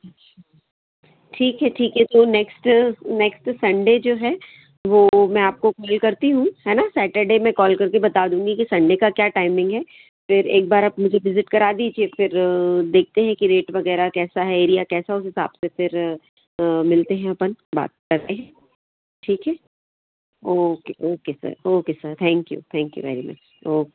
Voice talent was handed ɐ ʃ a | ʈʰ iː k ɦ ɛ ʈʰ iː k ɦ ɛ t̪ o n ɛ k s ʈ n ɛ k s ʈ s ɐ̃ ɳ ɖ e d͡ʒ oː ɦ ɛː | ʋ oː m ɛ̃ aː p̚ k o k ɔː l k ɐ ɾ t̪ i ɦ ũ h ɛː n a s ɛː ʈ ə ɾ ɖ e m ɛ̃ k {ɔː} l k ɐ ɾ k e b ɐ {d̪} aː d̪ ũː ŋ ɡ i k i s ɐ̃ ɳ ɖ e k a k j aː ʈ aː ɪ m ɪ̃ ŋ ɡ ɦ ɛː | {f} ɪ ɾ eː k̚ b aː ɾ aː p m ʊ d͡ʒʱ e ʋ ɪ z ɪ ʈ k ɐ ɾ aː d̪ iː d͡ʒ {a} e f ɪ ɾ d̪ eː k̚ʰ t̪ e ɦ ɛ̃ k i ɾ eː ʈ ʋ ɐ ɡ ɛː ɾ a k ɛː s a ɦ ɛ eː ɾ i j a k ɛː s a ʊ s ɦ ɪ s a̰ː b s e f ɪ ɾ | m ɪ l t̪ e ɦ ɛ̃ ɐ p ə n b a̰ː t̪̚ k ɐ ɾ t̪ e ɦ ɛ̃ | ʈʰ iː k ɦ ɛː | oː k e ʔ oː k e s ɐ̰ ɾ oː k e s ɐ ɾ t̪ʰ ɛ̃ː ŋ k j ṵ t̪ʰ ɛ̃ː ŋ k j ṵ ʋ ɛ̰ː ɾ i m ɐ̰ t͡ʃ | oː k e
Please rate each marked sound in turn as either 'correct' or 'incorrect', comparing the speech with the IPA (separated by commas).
correct, incorrect, correct, incorrect